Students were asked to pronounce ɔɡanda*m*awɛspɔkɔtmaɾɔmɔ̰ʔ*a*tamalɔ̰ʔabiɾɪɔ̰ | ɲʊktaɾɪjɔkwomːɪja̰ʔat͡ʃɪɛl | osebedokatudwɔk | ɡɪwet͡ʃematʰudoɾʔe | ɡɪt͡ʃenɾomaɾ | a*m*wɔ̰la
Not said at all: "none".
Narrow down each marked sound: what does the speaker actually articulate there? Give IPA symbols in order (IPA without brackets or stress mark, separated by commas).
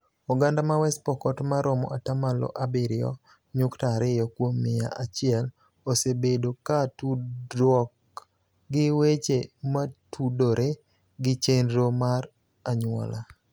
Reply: m, a, ɲ